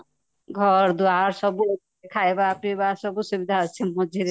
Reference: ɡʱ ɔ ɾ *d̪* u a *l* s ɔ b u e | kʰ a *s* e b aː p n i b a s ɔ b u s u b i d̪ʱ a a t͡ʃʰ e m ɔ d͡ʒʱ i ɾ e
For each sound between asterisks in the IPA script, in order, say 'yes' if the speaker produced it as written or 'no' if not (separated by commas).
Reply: yes, no, no